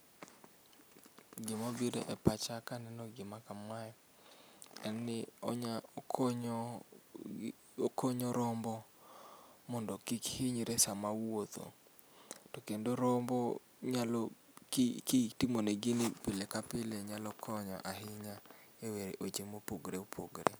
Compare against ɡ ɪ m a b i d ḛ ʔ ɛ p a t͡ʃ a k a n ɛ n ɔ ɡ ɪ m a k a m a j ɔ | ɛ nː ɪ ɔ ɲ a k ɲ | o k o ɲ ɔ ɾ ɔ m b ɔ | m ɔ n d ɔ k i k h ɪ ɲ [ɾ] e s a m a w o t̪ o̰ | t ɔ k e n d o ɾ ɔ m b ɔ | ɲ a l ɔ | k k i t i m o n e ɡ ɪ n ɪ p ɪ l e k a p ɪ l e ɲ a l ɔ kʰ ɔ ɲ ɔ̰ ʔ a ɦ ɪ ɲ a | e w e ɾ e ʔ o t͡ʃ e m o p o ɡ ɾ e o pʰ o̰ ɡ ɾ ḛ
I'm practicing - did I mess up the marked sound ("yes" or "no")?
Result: no